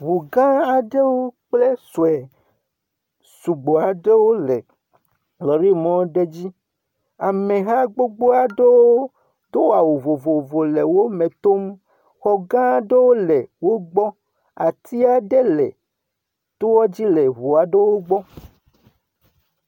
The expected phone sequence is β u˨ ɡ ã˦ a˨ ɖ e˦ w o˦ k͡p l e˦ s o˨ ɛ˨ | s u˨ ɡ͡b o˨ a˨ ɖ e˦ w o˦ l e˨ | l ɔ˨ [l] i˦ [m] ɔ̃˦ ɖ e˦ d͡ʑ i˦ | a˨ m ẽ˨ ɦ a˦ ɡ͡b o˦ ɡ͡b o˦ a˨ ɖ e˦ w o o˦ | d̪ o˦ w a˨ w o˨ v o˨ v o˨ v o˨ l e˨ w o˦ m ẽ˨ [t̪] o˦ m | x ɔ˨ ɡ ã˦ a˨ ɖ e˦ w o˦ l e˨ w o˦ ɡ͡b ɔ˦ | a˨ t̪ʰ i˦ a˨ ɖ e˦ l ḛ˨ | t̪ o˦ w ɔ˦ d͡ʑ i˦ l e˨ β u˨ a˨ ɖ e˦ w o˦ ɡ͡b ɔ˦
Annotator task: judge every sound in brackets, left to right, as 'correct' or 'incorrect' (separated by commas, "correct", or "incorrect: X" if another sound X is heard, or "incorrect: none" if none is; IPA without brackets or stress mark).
incorrect: ɾ, correct, correct